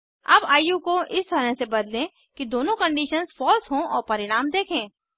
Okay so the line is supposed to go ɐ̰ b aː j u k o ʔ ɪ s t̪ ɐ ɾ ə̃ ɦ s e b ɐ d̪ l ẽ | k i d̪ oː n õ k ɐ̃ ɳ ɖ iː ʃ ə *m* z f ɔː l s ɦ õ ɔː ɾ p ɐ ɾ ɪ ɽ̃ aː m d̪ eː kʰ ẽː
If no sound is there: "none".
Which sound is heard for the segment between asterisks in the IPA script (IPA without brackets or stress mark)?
n